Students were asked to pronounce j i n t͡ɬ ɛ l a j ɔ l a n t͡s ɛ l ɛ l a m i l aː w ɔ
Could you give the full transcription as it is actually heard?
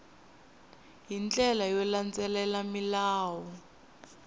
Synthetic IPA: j i n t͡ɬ ɛ l a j ɔ l a n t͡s ɛ l ɛ l a m i l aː w ɔ